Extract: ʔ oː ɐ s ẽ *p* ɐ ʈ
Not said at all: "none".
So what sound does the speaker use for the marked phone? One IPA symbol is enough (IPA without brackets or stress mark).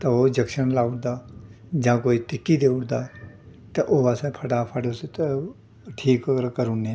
pʰ